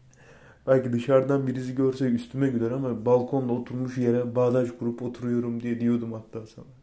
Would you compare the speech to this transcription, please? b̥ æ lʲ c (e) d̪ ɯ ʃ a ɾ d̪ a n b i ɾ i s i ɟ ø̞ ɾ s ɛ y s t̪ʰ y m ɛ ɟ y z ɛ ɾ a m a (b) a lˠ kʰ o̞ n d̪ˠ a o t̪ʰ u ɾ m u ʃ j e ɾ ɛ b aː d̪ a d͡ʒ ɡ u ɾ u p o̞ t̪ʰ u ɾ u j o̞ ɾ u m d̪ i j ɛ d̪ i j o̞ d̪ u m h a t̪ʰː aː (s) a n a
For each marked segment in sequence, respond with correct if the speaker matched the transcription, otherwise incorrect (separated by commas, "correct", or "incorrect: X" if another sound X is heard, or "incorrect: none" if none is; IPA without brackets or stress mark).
incorrect: i, correct, correct